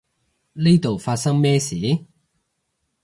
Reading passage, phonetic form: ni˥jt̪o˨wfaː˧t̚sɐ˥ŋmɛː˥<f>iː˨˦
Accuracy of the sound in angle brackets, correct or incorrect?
incorrect